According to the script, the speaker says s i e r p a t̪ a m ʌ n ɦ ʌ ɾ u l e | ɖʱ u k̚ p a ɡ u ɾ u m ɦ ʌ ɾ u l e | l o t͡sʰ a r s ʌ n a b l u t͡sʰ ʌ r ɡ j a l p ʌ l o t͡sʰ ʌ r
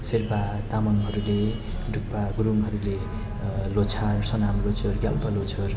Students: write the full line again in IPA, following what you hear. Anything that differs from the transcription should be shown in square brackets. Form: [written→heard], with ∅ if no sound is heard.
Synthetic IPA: s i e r p a t̪ a m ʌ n ɦ ʌ ɾ u l e | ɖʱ u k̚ p a ɡ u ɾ u m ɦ ʌ ɾ u l e | l o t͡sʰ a r s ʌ n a [b→m] l [u→o] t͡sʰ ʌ r ɡ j a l p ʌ l o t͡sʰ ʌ r